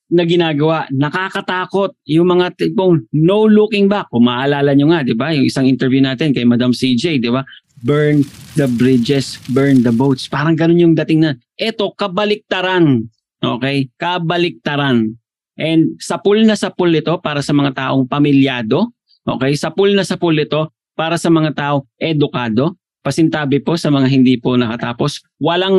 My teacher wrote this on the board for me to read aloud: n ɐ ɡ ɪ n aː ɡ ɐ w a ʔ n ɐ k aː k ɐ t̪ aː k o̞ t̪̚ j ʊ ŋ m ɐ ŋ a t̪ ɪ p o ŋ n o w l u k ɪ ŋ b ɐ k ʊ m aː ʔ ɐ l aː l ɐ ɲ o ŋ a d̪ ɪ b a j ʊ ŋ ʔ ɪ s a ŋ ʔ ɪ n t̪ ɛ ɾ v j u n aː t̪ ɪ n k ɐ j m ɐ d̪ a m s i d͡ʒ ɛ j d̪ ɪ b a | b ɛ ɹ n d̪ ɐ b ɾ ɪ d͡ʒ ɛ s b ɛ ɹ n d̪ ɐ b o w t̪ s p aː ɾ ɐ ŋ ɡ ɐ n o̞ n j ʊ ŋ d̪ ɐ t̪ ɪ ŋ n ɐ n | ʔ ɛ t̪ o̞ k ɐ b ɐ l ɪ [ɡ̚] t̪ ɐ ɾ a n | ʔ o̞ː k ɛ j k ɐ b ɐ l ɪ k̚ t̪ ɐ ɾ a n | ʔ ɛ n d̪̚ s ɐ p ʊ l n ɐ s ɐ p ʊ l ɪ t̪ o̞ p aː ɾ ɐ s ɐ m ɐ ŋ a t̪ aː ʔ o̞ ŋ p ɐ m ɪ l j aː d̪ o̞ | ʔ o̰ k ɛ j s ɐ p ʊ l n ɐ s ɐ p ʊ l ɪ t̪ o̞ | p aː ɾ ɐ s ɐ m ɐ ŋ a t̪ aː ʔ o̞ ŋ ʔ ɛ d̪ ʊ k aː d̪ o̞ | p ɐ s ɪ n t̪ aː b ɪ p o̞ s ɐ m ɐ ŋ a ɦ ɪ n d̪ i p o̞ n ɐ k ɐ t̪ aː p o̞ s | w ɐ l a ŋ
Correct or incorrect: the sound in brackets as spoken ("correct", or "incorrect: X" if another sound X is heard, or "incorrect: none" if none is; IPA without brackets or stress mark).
incorrect: k̚